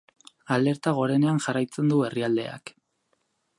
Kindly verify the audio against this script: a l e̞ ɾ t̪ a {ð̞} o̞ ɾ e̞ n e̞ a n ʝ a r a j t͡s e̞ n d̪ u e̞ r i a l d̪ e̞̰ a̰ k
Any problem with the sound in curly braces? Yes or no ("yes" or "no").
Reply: yes